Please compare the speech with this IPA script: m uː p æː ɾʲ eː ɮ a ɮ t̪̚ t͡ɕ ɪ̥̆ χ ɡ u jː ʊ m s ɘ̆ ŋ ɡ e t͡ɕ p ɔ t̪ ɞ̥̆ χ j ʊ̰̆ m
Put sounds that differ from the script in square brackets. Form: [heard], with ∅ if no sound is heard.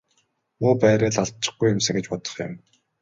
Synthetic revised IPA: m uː p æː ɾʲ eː ɮ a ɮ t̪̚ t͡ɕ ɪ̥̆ χ ɡ u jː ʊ m s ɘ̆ ŋ ɡ e t͡ɕ p ɔ t̪ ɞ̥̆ χ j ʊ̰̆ m